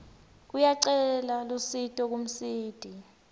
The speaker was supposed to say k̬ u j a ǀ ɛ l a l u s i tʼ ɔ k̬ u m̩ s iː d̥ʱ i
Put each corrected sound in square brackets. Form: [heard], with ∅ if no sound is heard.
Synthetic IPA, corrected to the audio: k̬ u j a ǀ ɛ l a l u s i tʼ ɔ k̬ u m̩ s iː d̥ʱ i